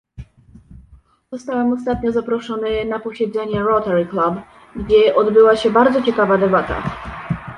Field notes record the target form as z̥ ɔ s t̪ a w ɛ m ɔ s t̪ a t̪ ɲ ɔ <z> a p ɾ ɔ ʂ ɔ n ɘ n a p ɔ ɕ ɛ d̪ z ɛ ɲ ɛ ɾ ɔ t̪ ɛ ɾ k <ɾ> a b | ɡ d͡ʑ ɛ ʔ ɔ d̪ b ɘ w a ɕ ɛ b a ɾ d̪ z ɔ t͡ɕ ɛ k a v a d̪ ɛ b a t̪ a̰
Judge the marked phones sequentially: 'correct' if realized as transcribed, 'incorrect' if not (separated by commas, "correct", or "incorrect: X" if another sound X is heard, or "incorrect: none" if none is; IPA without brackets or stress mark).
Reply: correct, incorrect: l